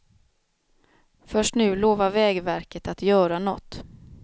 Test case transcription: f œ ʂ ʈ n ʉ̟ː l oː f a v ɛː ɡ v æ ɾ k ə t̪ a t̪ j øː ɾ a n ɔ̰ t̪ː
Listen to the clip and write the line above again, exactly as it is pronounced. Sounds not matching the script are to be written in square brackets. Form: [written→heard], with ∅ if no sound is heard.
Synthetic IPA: f œ ʂ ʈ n ʉ̟ː l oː [f→v] a v ɛː ɡ v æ ɾ k ə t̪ a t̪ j [øː→œː] ɾ a n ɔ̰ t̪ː